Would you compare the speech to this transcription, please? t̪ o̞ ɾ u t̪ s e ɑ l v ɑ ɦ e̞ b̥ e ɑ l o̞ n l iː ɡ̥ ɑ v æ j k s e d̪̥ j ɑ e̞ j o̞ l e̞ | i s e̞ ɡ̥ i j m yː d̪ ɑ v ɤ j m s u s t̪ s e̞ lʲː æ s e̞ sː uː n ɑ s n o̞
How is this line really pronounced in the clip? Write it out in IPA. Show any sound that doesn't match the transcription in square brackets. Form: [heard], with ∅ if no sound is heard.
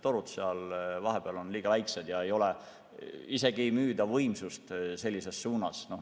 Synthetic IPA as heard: t̪ o̞ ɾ u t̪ s e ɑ l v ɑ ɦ e̞ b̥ e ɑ l o̞ n l iː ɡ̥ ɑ v æ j k s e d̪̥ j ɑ e̞ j o̞ l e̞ | i s e̞ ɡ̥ i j m yː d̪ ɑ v ɤ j m s u s t̪ s e̞ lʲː [i] s e̞ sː uː n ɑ s n o̞